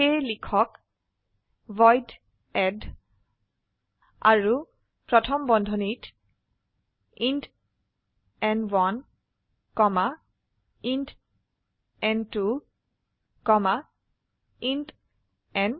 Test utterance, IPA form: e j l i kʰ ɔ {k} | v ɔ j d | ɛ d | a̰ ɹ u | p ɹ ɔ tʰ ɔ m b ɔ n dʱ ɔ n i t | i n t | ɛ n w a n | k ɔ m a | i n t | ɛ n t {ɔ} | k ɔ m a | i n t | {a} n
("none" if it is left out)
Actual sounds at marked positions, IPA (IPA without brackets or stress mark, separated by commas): k, u, ɛ